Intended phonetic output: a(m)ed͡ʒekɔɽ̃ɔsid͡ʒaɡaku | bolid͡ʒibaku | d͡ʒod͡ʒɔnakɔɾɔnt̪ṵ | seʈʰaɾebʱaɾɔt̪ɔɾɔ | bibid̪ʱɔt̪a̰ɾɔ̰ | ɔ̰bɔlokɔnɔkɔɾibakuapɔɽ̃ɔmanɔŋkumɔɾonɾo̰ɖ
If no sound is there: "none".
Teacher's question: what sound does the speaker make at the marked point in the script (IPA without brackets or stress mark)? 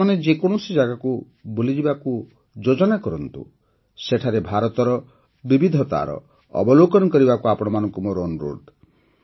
n